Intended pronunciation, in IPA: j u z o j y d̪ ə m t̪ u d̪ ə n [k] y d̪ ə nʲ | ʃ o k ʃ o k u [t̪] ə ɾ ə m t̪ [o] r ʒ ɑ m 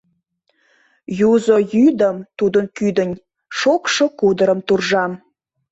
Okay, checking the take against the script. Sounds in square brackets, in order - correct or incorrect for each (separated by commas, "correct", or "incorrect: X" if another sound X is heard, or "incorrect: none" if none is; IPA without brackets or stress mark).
correct, incorrect: d̪, incorrect: u